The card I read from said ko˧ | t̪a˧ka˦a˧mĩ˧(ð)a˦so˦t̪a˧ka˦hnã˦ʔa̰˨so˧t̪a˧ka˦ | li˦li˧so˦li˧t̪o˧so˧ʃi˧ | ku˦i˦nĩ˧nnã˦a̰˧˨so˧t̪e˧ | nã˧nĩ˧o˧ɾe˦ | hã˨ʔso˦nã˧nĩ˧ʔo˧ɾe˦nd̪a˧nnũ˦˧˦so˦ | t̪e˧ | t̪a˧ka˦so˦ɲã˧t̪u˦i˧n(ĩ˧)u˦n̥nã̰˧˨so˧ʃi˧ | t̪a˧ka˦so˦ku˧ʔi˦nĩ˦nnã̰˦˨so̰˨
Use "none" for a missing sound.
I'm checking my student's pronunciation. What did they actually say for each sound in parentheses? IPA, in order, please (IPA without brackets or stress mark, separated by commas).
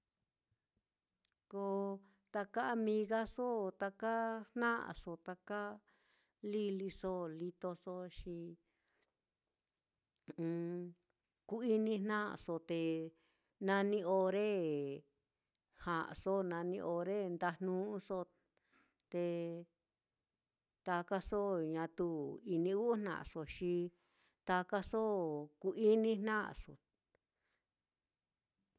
ɣ, ĩ˧